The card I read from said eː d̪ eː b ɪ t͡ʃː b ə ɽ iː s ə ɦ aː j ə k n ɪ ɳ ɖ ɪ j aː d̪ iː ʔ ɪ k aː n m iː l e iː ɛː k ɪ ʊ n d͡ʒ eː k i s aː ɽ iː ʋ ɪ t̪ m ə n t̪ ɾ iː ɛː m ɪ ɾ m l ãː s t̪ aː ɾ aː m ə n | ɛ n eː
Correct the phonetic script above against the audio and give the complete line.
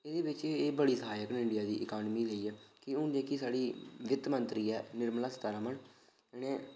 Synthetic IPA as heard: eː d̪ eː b ɪ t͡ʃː b ə ɽ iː s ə ɦ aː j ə k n ɪ ɳ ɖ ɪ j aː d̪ iː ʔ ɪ k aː n m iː l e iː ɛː k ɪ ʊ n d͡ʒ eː k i s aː ɽ iː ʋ ɪ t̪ m ə n t̪ ɾ iː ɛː n ɪ ɾ m l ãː s t̪ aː ɾ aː m ə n | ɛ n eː